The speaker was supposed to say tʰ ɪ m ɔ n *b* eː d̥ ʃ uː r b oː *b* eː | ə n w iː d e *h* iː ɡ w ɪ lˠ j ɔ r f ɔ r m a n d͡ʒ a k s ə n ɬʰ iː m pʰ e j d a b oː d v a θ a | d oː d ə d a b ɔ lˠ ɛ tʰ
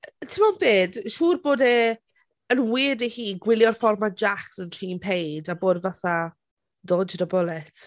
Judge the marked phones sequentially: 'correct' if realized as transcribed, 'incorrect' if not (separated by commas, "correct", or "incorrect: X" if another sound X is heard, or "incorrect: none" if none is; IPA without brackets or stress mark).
correct, incorrect: d, correct